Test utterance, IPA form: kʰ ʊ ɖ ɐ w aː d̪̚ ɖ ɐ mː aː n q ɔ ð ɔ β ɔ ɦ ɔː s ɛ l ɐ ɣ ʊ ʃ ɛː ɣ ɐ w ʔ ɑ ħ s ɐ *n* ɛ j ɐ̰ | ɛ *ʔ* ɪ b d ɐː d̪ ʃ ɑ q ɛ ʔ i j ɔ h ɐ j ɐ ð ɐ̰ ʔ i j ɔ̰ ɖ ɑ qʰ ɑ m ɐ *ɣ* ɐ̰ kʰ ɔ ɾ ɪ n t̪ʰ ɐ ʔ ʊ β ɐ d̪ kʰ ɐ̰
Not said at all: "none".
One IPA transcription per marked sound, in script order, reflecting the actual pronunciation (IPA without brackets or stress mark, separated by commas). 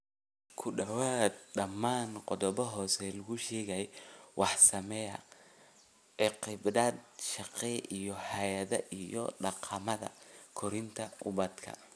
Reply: m, q, ð